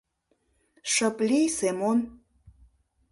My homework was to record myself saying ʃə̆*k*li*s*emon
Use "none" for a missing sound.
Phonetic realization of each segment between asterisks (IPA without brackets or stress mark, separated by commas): p, s